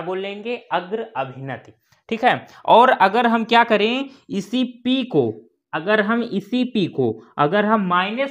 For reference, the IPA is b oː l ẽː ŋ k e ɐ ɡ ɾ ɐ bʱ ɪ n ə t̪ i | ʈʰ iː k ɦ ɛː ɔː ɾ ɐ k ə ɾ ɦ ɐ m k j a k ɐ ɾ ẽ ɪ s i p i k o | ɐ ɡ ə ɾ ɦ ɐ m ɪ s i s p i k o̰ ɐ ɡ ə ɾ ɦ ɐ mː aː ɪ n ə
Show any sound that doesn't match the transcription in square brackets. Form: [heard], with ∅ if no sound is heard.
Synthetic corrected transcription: b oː l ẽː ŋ [ɡ] e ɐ ɡ ɾ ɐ bʱ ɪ n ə t̪ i | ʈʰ iː k ɦ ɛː ɔː ɾ ɐ [ɡ] ə ɾ ɦ ɐ m k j a k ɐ ɾ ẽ ɪ s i p i k o | ɐ ɡ ə ɾ ɦ ɐ m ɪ s i [∅] p i k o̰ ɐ ɡ ə ɾ ɦ ɐ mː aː ɪ n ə